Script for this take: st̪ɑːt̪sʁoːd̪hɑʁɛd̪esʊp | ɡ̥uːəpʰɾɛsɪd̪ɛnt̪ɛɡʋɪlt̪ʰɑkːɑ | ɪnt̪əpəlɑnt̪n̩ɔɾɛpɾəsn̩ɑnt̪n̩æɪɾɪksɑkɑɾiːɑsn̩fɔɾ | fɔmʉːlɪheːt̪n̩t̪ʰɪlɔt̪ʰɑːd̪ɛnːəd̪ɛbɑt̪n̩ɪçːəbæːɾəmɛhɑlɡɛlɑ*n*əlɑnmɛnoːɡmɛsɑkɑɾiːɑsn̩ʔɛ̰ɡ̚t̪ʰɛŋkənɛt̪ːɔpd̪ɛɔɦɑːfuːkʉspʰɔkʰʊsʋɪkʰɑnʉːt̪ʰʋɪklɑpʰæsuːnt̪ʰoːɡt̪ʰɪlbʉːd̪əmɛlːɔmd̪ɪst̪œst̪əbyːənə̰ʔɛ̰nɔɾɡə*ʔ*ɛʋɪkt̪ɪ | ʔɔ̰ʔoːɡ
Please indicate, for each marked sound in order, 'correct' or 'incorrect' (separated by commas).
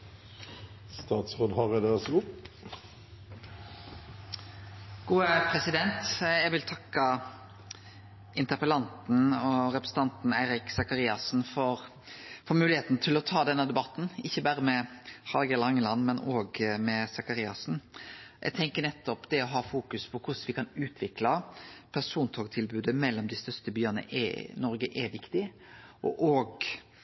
incorrect, correct